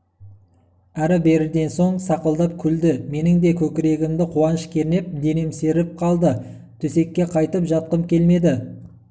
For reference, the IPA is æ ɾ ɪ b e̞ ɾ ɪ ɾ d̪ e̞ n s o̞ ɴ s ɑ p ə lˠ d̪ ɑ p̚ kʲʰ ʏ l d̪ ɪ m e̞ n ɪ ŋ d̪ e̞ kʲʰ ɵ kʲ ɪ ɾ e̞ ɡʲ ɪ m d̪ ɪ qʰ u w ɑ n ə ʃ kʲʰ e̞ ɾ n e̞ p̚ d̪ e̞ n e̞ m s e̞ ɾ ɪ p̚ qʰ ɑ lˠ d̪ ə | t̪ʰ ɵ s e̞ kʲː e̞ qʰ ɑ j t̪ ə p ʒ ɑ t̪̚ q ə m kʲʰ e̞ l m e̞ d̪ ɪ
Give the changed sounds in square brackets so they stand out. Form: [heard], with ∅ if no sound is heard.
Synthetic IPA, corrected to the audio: æ ɾ ɪ b e̞ ɾ ɪ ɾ d̪ e̞ n s o̞ ɴ s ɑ [q] ə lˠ d̪ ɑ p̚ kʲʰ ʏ l d̪ ɪ m e̞ n ɪ ŋ d̪ e̞ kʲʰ ɵ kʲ ɪ ɾ e̞ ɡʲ ɪ m d̪ ɪ qʰ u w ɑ n ə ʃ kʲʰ e̞ ɾ n e̞ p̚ d̪ e̞ n e̞ m s e̞ ɾ ɪ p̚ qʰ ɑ lˠ d̪ ə | t̪ʰ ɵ s e̞ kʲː e̞ qʰ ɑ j t̪ ə p ʒ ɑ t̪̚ q ə m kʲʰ e̞ l m e̞ d̪ ɪ

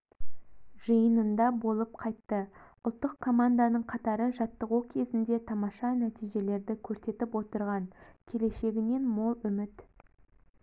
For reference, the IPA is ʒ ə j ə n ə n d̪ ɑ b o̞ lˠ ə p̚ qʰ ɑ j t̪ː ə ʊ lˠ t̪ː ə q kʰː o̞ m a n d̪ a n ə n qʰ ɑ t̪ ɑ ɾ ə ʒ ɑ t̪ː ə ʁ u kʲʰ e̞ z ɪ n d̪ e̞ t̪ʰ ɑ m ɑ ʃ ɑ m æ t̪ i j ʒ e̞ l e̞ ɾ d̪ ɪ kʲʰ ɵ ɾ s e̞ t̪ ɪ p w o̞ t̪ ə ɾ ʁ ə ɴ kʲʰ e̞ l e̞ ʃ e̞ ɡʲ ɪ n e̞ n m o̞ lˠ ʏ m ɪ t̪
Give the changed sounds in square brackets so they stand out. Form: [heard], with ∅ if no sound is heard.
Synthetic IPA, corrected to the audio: ʒ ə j ə n ə n d̪ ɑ b o̞ lˠ ə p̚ qʰ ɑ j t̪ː ə ʊ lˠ t̪ː ə q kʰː o̞ m a n d̪ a n ə [ɴ] qʰ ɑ t̪ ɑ ɾ ə ʒ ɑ t̪ː ə ʁ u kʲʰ e̞ z ɪ n d̪ e̞ t̪ʰ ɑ m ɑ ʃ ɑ [n] æ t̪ i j ʒ e̞ l e̞ ɾ d̪ ɪ kʲʰ ɵ ɾ s e̞ t̪ ɪ p w o̞ t̪ ə ɾ ʁ [ɑ] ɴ kʲʰ e̞ l e̞ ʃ e̞ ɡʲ ɪ n e̞ n m o̞ lˠ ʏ m ɪ t̪

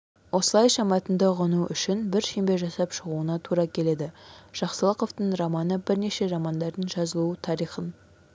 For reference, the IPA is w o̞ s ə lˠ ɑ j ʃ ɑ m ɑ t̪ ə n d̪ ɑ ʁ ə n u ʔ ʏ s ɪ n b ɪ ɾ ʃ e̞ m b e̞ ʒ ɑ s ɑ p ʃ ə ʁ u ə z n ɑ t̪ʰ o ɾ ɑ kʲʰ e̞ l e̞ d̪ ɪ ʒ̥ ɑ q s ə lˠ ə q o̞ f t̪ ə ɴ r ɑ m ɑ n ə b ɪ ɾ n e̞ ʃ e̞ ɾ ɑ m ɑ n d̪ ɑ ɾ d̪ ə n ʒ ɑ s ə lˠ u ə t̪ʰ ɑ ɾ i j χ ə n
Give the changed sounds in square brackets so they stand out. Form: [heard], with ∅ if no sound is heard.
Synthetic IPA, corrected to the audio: w o̞ s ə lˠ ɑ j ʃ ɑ m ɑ t̪ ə n d̪ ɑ ʁ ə n u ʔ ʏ [ʃ] ɪ n b ɪ ɾ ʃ e̞ m b e̞ ʒ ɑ s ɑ p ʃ ə ʁ u ə [∅] n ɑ t̪ʰ [u] ɾ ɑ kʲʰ e̞ l e̞ d̪ ɪ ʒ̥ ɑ q s ə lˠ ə q o̞ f t̪ ə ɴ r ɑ m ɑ n ə b ɪ ɾ n e̞ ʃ e̞ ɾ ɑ m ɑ n d̪ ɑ ɾ d̪ ə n ʒ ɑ [z] ə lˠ u ə t̪ʰ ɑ ɾ i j χ ə n

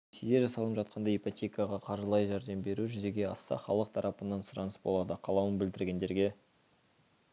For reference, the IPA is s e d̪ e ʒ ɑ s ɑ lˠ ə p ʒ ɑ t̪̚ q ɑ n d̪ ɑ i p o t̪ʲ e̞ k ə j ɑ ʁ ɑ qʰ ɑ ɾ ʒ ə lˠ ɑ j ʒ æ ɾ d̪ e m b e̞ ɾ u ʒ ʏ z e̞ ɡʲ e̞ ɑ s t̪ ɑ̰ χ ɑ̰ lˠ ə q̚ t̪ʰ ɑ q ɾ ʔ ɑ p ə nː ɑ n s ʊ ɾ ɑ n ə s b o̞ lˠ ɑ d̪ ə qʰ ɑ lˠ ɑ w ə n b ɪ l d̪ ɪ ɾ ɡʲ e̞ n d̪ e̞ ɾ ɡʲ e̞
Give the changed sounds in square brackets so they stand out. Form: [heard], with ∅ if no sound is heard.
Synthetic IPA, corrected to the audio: s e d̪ e ʒ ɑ s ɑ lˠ ə p ʒ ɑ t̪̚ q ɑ n d̪ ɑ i p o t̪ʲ e̞ k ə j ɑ ʁ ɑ qʰ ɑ ɾ ʒ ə lˠ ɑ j ʒ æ ɾ d̪ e m b e̞ ɾ u ʒ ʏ z e̞ ɡʲ e̞ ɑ s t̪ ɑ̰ χ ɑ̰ lˠ ə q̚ t̪ʰ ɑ [∅] ɾ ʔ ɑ p ə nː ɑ n s ʊ ɾ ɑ n ə s b o̞ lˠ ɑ d̪ ə qʰ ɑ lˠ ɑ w ə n b ɪ l d̪ ɪ ɾ ɡʲ e̞ n d̪ e̞ ɾ ɡʲ e̞

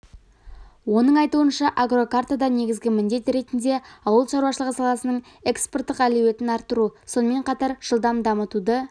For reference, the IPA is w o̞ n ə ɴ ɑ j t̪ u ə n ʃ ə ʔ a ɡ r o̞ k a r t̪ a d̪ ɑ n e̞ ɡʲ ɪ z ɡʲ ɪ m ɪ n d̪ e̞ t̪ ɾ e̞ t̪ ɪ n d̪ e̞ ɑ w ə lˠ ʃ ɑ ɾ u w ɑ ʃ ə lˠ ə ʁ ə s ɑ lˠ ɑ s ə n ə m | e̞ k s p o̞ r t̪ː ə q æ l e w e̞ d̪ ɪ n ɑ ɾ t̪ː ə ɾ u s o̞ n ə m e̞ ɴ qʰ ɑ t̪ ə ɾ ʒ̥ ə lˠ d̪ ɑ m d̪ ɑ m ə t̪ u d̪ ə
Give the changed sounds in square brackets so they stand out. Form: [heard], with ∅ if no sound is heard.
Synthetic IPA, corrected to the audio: w o̞ n ə ɴ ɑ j t̪ u ə n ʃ [ɑ] ʔ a ɡ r o̞ k a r t̪ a d̪ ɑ n e̞ ɡʲ ɪ z ɡʲ ɪ m ɪ n d̪ e̞ t̪ ɾ e̞ t̪ ɪ n d̪ e̞ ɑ w ə lˠ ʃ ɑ ɾ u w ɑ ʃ ə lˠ ə ʁ ə s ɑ lˠ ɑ s ə n ə [ɴ] | e̞ k s p o̞ r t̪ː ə q æ l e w e̞ [t̪] ɪ n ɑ ɾ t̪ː ə ɾ u s o̞ n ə m e̞ ɴ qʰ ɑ t̪ [ɑ] ɾ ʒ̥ ə lˠ d̪ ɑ m d̪ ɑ m ə t̪ u d̪ ə

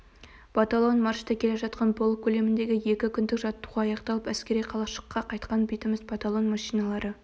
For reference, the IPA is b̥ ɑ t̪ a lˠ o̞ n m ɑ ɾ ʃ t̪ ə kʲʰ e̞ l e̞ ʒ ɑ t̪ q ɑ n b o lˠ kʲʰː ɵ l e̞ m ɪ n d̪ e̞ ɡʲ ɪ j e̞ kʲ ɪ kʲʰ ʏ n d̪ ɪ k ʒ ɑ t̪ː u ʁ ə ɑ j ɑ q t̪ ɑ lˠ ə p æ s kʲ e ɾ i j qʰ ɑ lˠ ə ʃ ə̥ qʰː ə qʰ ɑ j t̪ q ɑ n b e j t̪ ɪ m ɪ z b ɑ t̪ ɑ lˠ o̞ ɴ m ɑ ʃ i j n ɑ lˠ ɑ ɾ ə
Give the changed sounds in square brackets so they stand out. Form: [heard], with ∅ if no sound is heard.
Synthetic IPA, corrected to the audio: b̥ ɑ t̪ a lˠ o̞ n m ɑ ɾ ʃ t̪ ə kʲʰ e̞ l e̞ ʒ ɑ t̪ q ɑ n b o lˠ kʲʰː ɵ l e̞ m ɪ n d̪ e̞ ɡʲ ɪ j e̞ kʲ ɪ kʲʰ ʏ n d̪ ɪ k ʒ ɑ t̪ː u ʁ [ɑ] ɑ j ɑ q t̪ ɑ lˠ ə p æ s kʲ e ɾ i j qʰ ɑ lˠ [ɑ] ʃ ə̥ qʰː [ɑ] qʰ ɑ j t̪ q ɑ n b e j t̪ ɪ m ɪ z b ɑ t̪ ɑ lˠ o̞ [n] m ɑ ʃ i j n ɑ lˠ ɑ ɾ ə

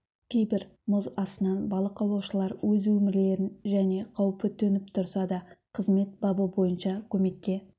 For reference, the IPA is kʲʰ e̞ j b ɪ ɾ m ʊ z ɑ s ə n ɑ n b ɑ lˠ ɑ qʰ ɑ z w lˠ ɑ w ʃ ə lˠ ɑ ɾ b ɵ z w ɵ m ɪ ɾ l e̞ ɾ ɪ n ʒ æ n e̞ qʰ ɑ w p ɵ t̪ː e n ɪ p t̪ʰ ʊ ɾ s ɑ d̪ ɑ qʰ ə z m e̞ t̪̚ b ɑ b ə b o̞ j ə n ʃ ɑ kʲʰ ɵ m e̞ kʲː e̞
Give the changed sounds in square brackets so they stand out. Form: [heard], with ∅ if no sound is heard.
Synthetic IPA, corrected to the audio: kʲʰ e̞ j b ɪ ɾ m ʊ z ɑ s ə n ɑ n b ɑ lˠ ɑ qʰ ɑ [∅] w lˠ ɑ w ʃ ə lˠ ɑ ɾ [w] ɵ z w ɵ m ɪ ɾ l e̞ ɾ ɪ n ʒ æ n e̞ qʰ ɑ w p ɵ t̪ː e n ɪ p t̪ʰ ʊ ɾ s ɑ d̪ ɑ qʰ ə z m e̞ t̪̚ b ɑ b ə b o̞ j ə n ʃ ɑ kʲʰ ɵ m e̞ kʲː e̞

